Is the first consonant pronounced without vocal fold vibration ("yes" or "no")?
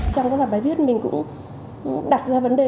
yes